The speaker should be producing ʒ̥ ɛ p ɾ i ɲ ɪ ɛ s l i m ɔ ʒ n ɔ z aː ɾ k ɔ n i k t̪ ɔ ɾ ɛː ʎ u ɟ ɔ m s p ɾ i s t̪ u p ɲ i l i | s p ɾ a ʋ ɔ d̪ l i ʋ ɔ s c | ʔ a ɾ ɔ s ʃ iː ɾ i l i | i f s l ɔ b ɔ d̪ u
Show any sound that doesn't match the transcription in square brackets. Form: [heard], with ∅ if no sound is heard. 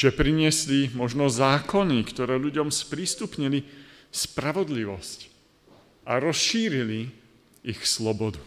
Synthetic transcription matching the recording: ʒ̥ ɛ p ɾ i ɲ ɪ ɛ s l i m ɔ ʒ n ɔ z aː [∅] k ɔ n i k t̪ ɔ ɾ ɛː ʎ u ɟ ɔ m s p ɾ i s t̪ u p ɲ i l i | s p ɾ a ʋ ɔ d̪ l i ʋ ɔ s c | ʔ a ɾ ɔ s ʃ iː ɾ i l i | i [x] s l ɔ b ɔ d̪ u